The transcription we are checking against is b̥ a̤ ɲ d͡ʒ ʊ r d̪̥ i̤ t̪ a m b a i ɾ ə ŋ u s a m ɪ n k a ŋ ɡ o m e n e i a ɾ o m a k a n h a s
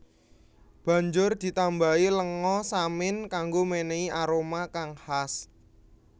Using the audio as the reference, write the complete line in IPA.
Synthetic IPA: b̥ a̤ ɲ d͡ʒ ʊ r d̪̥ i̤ t̪ a m b a i l ə ŋ ɔ s a m ɪ n k a ŋ ɡ o m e n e i a ɾ o m a k a ŋ h a s